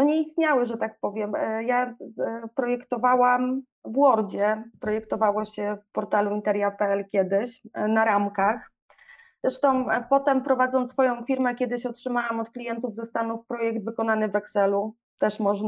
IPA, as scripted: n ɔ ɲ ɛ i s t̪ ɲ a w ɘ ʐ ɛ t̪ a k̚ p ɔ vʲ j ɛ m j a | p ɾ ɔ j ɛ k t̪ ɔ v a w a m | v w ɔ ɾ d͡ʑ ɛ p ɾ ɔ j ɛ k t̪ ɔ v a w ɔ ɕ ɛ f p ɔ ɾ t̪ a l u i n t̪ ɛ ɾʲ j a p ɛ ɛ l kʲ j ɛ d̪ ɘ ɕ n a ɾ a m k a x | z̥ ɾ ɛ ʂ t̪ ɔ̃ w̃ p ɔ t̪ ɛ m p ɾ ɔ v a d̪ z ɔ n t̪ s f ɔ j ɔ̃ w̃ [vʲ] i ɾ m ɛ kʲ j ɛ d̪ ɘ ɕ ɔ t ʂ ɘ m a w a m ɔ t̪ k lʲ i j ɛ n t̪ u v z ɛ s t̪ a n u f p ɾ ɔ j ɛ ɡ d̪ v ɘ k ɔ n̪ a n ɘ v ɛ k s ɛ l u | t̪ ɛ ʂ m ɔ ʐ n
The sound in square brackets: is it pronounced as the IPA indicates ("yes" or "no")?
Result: no